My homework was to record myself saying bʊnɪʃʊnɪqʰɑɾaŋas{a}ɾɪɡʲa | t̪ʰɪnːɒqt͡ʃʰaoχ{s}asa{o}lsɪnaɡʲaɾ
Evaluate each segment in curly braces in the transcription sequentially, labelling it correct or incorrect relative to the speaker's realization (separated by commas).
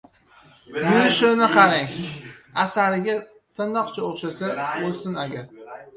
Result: correct, incorrect, correct